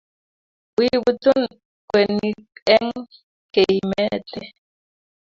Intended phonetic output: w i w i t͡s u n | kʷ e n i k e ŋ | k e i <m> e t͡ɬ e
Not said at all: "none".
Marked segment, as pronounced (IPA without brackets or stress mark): m